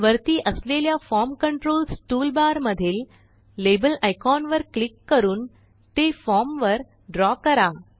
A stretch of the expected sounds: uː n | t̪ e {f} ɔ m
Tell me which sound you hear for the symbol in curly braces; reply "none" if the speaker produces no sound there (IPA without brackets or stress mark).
f